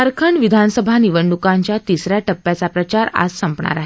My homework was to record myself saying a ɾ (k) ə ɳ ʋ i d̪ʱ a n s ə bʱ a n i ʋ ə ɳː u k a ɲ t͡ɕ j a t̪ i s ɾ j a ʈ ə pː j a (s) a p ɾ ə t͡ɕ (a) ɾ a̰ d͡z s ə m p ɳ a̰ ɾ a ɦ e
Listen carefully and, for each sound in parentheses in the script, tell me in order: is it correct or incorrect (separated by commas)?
incorrect, incorrect, correct